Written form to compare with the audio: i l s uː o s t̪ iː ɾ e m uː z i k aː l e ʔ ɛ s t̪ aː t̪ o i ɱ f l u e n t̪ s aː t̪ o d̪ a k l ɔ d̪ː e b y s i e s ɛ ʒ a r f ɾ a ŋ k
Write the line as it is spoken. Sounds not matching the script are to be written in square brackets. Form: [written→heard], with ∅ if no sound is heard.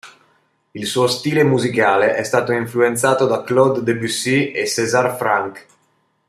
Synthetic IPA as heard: i l s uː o s t̪ iː [ɾ→l] e m [uː→u] z i k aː l e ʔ ɛ s t̪ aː t̪ o i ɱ f l u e n t̪ s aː t̪ o d̪ a k l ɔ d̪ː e b y s i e s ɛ [ʒ→z] a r f ɾ a ŋ k